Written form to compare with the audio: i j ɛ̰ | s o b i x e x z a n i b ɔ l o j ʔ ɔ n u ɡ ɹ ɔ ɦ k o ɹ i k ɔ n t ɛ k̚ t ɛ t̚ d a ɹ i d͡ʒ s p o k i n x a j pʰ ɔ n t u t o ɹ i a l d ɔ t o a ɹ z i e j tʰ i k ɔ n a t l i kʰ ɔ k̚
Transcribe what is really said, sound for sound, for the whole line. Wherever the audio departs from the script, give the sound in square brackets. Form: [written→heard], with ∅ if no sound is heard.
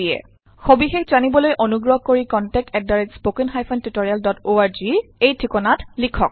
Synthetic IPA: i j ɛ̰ | [s→x] o b i x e x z a n i b ɔ l o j ʔ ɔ n u ɡ ɹ ɔ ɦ k o ɹ i k ɔ n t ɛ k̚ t ɛ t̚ d a ɹ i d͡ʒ s p o k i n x a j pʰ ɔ n t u t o ɹ i a l d ɔ t o a ɹ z i e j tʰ i k ɔ n a t l i kʰ ɔ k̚